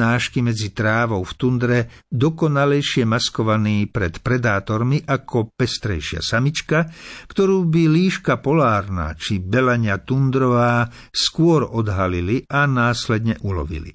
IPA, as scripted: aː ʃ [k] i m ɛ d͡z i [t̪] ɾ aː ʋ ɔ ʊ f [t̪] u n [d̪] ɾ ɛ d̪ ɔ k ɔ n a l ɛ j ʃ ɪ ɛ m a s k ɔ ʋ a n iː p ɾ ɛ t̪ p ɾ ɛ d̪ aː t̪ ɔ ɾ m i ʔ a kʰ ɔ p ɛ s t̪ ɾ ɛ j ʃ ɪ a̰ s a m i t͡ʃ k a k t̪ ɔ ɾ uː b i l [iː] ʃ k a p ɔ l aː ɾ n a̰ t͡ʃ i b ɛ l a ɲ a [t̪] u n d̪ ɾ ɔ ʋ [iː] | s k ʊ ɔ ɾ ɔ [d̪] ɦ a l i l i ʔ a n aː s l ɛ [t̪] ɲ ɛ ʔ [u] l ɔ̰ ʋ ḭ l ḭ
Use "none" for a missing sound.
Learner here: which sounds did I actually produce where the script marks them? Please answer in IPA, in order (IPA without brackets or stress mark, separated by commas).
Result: k, t̪, t̪, d̪, iː, t̪, aː, d̪, d̪, u